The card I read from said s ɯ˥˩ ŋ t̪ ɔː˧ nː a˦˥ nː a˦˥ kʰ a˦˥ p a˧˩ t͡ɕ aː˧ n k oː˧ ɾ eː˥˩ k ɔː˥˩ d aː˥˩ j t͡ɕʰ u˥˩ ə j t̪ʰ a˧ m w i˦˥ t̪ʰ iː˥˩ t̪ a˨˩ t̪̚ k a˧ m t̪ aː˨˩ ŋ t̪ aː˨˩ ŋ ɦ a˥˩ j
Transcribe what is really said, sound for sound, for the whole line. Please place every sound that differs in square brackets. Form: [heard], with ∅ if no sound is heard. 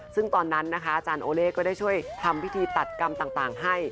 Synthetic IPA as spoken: s ɯ˥˩ ŋ t̪ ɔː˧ nː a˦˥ nː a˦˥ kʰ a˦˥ [ʔ] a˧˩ t͡ɕ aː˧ n [ʔ] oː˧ [l] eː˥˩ k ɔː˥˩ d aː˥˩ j t͡ɕʰ u˥˩ ə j t̪ʰ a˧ m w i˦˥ t̪ʰ [iː˧] t̪ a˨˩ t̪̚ k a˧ m t̪ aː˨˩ ŋ t̪ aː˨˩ ŋ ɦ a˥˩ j